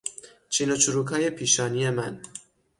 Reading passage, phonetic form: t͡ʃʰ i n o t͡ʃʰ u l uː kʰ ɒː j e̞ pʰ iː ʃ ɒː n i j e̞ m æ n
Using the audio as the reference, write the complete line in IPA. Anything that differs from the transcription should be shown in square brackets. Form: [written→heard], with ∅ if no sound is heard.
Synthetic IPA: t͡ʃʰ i n o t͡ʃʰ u [l→ɾ] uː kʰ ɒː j e̞ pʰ iː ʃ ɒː n i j e̞ m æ n